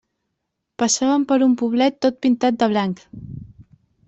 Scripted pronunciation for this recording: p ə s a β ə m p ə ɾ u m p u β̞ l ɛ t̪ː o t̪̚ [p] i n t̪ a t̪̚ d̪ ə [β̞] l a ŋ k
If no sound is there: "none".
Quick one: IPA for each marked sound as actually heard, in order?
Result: p, β̞

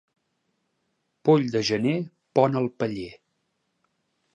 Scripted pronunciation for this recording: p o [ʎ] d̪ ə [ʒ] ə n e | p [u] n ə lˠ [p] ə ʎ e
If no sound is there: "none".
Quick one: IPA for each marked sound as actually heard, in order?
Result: ʎ, ʒ, ɔ, p

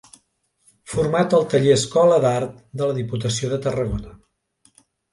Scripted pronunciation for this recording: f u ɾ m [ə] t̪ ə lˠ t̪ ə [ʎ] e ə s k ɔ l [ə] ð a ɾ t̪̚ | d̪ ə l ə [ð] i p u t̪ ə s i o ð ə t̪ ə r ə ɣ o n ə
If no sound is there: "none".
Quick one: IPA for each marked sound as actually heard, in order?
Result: a, ʎ, ə, ð

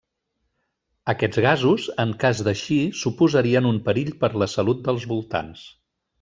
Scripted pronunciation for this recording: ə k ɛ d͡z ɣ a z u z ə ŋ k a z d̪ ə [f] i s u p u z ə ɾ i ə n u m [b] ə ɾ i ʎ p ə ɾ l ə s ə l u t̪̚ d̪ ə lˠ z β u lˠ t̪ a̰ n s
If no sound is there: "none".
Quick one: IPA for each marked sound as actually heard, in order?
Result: ʃ, p

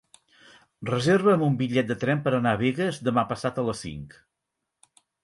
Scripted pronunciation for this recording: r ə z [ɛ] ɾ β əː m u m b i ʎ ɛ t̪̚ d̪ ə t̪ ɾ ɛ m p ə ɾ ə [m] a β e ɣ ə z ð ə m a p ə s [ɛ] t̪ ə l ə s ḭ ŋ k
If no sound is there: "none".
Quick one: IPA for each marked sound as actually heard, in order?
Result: e, n, a

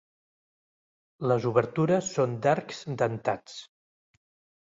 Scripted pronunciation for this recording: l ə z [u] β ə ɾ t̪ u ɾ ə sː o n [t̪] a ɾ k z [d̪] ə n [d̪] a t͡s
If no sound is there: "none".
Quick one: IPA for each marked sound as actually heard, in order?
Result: u, d̪, d̪, t̪

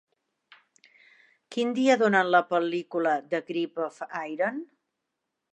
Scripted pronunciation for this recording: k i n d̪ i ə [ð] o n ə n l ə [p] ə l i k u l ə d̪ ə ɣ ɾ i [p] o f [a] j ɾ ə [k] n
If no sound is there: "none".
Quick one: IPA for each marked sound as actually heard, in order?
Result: ð, p, p, a, none

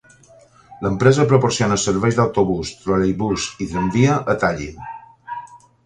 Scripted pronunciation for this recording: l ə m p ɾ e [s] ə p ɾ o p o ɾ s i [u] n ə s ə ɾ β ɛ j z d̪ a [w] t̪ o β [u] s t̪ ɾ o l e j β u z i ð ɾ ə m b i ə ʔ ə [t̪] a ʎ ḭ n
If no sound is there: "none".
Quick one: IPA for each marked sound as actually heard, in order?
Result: z, o, w, u, t̪

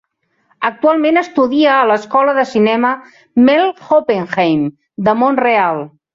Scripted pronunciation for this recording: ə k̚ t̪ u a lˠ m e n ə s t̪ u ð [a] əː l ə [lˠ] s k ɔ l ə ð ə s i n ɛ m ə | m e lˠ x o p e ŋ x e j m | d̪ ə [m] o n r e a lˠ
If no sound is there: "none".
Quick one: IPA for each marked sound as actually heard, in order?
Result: i, none, m

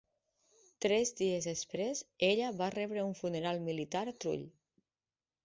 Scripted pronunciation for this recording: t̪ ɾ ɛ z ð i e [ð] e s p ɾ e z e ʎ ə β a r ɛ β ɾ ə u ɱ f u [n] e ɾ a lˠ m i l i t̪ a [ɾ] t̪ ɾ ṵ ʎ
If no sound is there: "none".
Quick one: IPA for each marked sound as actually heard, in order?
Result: z, n, ɾ

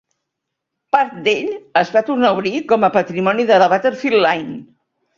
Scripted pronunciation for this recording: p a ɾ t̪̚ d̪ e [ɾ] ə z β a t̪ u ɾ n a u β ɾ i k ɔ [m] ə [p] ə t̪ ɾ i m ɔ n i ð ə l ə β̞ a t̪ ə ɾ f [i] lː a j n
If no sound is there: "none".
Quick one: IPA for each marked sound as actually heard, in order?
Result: ʎ, m, p, i

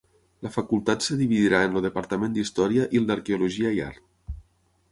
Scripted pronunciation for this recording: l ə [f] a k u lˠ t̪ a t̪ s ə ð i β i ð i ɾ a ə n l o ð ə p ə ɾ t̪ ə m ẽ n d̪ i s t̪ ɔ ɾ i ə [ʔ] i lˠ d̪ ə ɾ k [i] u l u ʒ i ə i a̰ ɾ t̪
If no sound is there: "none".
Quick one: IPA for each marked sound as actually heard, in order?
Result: f, ʔ, e

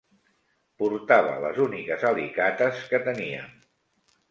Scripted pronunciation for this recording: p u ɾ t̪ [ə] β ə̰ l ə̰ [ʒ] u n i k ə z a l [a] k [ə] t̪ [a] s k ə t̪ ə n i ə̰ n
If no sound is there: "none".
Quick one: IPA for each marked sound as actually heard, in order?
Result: a, z, i, a, ə

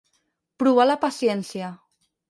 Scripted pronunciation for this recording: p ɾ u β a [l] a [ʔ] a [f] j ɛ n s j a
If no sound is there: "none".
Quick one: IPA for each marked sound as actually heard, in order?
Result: l, p, s

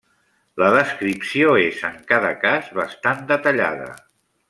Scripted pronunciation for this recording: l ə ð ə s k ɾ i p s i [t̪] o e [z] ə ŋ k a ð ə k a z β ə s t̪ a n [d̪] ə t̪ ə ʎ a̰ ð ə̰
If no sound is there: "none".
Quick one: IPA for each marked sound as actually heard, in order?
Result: none, z, d̪

